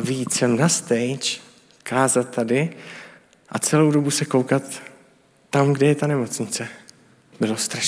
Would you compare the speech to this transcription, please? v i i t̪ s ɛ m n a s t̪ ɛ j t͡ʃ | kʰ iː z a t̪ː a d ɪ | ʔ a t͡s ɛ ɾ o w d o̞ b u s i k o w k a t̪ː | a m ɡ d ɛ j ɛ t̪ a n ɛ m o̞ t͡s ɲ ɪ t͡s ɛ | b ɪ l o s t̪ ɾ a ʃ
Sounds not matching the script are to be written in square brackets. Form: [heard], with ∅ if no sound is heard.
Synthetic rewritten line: v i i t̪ s ɛ m n a s t̪ ɛ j t͡ʃ | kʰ [aː] z a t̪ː a d ɪ | ʔ a t͡s ɛ [l] o w d o̞ b u s [ɛ] k o w k a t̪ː | a m ɡ d ɛ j ɛ t̪ a n ɛ m o̞ t͡s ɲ ɪ t͡s ɛ | b ɪ l o s t̪ ɾ a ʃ